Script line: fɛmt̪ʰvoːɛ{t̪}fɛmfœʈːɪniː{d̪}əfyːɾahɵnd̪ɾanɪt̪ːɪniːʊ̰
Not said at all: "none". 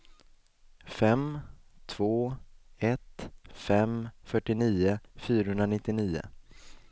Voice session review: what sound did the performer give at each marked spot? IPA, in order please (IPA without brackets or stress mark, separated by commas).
t̪, none